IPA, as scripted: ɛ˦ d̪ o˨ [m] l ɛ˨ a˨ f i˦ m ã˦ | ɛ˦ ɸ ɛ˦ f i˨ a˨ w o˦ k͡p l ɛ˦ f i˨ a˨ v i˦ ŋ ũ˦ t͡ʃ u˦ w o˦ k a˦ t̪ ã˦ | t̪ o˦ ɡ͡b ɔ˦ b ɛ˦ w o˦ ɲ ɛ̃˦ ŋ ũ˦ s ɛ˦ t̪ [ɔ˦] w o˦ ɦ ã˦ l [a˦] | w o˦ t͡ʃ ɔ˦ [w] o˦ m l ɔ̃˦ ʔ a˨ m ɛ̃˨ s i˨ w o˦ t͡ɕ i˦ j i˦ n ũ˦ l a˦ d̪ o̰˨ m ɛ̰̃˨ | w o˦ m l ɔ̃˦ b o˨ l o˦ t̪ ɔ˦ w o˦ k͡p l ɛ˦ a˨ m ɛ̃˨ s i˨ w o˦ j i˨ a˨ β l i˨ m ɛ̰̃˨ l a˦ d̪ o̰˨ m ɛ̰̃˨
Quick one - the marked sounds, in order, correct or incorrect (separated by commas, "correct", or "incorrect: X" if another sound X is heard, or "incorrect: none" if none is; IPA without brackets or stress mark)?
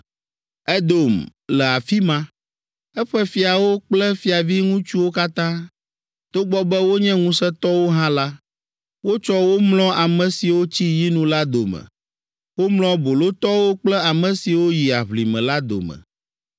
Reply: correct, correct, correct, correct